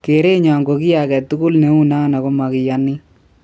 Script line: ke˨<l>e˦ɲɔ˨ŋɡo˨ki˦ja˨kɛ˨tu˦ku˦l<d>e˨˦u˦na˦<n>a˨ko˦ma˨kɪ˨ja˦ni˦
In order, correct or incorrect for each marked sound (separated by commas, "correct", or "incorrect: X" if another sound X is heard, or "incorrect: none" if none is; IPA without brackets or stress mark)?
incorrect: ɾ, incorrect: n, correct